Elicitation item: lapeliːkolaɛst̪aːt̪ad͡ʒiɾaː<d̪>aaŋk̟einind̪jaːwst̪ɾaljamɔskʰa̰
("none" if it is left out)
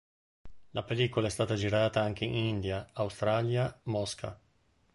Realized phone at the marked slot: t̪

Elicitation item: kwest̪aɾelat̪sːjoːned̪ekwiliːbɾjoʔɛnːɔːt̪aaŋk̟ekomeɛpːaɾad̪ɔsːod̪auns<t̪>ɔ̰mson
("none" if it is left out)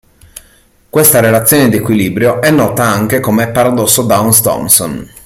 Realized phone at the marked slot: t̪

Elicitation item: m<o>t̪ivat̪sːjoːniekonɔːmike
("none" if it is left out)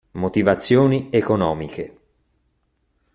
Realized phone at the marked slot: o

